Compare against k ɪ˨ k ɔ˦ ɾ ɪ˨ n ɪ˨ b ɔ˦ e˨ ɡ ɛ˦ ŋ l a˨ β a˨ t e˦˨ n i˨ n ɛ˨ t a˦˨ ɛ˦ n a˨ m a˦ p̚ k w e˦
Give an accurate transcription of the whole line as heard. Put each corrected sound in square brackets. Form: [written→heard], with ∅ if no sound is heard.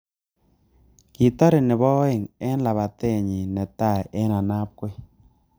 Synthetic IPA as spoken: k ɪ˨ [k→t] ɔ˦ ɾ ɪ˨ n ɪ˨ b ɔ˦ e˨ [ɡ→ŋ] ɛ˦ [ŋ→n] l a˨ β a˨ t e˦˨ [n→ɲ] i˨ n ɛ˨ t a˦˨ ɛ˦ n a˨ [m→n] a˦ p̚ k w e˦

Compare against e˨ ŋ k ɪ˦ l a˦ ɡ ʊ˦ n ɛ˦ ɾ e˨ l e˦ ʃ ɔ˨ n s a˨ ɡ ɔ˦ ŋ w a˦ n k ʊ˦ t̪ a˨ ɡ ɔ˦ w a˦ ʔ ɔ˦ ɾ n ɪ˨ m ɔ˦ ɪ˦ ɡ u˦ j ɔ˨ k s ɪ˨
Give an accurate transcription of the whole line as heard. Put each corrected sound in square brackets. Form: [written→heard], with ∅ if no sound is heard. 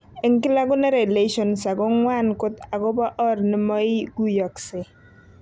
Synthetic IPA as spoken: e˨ ŋ k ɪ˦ l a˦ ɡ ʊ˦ n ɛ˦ ɾ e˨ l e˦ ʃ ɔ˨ n s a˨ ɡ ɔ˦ ŋ w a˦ n k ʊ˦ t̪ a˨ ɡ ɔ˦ [w→b] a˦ ʔ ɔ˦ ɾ n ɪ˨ m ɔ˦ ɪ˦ ɡ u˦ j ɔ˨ k s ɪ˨

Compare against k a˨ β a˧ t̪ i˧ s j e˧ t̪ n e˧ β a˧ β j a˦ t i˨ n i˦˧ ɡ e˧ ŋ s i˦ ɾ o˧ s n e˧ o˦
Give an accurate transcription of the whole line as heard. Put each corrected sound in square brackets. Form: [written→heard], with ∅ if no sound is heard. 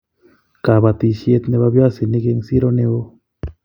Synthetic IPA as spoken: k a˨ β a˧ t̪ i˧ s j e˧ t̪ n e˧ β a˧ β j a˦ [t→s] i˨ n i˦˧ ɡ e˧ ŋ s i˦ ɾ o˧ [s→∅] n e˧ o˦

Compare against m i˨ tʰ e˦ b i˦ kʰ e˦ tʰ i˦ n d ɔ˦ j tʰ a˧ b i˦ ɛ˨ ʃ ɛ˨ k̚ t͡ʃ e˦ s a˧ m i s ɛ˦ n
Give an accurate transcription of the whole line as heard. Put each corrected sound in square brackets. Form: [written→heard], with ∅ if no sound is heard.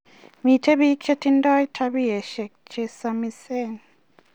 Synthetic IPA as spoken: m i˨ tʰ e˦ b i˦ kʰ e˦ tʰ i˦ n d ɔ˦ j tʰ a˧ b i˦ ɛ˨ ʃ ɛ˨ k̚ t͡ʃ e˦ s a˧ m i s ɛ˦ n

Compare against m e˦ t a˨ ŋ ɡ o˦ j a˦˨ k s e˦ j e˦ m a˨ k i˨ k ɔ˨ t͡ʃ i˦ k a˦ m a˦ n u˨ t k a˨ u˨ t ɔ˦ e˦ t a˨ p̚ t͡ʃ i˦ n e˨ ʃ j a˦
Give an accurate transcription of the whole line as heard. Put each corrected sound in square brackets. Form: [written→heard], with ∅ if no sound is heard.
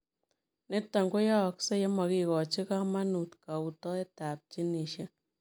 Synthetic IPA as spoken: [m→n] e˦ t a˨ ŋ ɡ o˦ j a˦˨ k s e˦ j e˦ m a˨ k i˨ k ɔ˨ t͡ʃ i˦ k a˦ m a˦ n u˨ t k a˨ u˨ t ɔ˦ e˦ t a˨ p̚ t͡ʃ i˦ n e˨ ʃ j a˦

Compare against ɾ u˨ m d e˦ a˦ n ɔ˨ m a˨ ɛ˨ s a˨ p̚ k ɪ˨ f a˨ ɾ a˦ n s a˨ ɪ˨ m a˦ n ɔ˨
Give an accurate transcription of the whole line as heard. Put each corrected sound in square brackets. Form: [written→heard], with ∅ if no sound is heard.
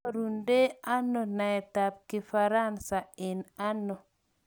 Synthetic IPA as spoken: ɾ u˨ [m→n] d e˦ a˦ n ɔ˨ [m→n] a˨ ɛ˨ [s→t] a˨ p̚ k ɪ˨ f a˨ ɾ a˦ n s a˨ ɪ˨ [m→n] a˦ n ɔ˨

